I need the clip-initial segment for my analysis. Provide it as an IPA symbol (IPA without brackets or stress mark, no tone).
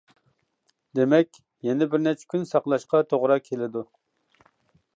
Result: d̪